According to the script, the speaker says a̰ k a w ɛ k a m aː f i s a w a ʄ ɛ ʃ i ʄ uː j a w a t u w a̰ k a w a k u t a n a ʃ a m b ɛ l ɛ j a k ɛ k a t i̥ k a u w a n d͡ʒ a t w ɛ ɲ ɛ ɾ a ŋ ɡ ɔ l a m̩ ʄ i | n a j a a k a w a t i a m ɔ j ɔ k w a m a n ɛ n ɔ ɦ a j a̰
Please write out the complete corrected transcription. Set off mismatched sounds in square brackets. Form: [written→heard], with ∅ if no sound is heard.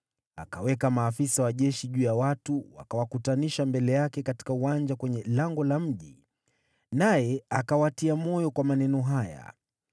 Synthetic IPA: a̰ k a w ɛ k a m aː f i s a w a ʄ ɛ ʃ i ʄ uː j a w a t u w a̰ k a w a k u t a n [a→i] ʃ a m b ɛ l ɛ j a k ɛ k a t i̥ k a u w a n d͡ʒ a [t→k] w ɛ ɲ ɛ [ɾ→l] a ŋ ɡ ɔ l a m̩ ʄ i | n a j [a→ɛ] a k a w a t i a m ɔ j ɔ k w a m a n ɛ n ɔ ɦ a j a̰